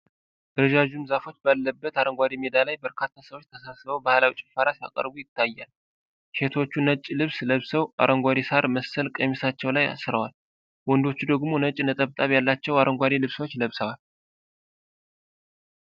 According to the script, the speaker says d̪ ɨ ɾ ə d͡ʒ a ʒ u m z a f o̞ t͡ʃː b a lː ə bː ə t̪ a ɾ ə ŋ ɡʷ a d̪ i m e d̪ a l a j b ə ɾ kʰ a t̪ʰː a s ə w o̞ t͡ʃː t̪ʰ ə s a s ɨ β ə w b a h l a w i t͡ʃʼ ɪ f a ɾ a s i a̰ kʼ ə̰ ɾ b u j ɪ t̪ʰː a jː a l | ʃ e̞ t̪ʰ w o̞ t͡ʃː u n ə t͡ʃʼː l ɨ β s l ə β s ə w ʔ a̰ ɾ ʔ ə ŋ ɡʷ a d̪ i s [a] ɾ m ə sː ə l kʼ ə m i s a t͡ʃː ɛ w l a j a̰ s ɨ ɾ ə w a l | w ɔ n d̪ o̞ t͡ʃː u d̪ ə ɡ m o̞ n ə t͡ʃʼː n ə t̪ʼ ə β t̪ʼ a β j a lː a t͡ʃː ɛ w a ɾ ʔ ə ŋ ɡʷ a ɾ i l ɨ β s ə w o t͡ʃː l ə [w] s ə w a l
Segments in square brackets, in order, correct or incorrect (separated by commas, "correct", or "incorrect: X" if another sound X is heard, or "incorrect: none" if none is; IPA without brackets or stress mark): correct, incorrect: β